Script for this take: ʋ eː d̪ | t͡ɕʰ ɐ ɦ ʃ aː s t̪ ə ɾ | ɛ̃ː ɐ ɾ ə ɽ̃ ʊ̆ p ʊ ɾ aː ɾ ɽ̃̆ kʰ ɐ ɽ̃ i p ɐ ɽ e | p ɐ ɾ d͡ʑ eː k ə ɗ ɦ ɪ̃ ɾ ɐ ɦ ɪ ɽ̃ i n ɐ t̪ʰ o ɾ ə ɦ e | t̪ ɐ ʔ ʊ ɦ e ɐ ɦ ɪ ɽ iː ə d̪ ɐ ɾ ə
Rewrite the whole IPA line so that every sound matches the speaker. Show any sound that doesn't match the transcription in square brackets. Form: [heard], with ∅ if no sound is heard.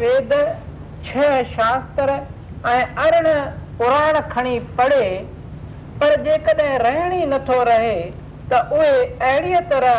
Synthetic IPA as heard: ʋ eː d̪ | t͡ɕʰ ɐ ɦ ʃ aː s t̪ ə ɾ | ɛ̃ː ɐ ɾ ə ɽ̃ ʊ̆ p ʊ ɾ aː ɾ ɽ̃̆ kʰ ɐ ɽ̃ i p ɐ ɽ e | p ɐ ɾ d͡ʑ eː k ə ɗ ɦ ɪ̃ ɾ ɐ ɦ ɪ ɽ̃ i n ɐ t̪ʰ o ɾ [ɐ] ɦ e | t̪ ɐ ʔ ʊ ɦ e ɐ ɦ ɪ ɽ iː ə [t̪] ɐ ɾ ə